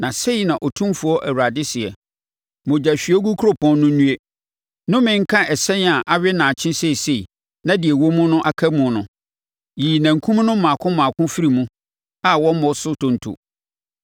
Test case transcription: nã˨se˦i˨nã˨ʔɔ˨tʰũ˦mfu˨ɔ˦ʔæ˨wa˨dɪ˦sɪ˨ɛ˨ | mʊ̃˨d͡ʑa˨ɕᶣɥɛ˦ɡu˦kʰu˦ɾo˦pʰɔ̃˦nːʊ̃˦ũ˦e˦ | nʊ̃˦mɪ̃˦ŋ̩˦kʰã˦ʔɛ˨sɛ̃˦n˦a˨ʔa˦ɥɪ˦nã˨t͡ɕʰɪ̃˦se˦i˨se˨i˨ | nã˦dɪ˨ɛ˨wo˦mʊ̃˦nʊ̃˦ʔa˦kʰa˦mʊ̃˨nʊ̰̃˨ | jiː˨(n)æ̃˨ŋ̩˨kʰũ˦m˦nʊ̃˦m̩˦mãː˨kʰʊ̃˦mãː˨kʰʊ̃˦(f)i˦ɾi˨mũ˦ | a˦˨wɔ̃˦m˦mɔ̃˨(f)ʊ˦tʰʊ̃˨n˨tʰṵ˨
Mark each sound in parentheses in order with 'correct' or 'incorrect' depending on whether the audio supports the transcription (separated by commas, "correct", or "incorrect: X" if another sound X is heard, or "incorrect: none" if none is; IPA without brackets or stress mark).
correct, correct, incorrect: s